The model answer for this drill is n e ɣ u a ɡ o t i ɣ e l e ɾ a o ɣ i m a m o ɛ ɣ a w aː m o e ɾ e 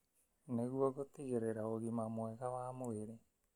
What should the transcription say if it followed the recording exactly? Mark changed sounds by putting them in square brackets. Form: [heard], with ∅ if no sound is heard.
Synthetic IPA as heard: n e ɣ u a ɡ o t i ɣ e [ɾ] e ɾ a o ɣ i m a m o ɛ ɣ a w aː m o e ɾ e